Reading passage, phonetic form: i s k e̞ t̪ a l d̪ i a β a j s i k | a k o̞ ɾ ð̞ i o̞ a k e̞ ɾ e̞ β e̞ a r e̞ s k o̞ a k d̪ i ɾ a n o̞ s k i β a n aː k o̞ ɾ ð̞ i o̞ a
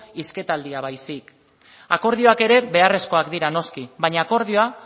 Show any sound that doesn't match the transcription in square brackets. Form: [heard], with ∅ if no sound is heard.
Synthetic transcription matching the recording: i s k e̞ t̪ a l d̪ i a β a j s i k | a k o̞ ɾ ð̞ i o̞ a k e̞ ɾ e̞ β e̞ a r e̞ s k o̞ a k d̪ i ɾ a n o̞ s k i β a [ɲ] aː k o̞ ɾ ð̞ i o̞ a